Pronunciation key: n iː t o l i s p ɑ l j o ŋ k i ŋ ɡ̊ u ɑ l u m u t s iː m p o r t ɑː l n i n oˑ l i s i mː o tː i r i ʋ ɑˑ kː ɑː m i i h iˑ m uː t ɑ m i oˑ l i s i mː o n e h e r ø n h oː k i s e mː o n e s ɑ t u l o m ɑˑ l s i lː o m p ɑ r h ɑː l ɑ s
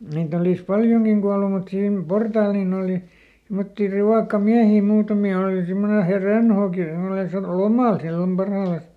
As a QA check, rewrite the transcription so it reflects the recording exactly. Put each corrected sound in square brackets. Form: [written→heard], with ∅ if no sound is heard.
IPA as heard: n iː t o l i s p ɑ l j o ŋ k i ŋ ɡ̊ u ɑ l u m u t s iː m p o r t ɑː l n i n oˑ l i s i mː o tː i r i ʋ ɑˑ kː [ɑː→ɑ] m i [i→æ] h iˑ m uː t ɑ m i oˑ l i s i mː o n e h e r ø n h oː k i s e mː o n e s ɑ t u l o m ɑˑ l s i lː o m p ɑ r h ɑː l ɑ s